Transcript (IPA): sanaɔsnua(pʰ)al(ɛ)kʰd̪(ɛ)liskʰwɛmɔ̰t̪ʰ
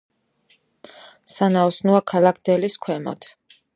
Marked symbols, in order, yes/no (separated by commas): no, no, yes